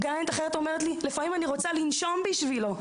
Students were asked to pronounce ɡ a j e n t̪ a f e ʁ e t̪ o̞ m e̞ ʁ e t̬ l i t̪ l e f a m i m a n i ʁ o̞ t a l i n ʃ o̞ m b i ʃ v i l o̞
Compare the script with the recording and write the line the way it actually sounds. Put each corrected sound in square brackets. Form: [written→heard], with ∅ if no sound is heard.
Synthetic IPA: ɡ a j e n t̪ a [f→χ] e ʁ e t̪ o̞ m e̞ ʁ e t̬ l i [t̪→∅] l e f a m i m a n i ʁ o̞ [t→t͡s] a l i n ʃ o̞ m b i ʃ v i l o̞